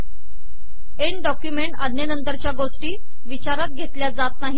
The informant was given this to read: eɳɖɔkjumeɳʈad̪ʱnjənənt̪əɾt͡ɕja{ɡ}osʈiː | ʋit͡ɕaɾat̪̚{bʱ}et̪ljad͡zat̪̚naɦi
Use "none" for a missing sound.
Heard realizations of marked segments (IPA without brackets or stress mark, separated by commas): ɡ, ɡʱ